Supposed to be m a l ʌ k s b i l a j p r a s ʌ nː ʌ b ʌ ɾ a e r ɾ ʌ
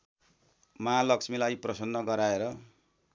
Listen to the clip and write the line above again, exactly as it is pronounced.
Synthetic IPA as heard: m a l ʌ k s m i l a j p r ʌ s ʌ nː ʌ ɡ ʌ ɾ a e ɾ ʌ